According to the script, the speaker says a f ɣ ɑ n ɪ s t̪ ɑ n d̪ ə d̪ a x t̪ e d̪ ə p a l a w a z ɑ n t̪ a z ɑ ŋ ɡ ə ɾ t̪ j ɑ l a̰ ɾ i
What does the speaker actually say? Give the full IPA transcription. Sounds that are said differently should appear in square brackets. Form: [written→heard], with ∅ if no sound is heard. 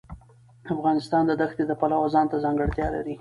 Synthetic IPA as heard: a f ɣ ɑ n ɪ s t̪ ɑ n d̪ ə d̪ a x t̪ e d̪ ə p a l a w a z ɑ n t̪ a z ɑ ŋ ɡ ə [ɾ→ɽ] t̪ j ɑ l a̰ ɾ i